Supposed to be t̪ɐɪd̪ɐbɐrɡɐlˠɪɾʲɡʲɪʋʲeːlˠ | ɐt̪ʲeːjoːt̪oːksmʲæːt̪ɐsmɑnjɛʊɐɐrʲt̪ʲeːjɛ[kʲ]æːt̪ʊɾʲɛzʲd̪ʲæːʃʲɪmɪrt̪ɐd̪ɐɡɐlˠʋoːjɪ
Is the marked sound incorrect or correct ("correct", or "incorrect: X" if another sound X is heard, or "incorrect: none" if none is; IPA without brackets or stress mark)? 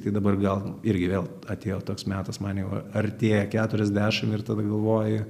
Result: correct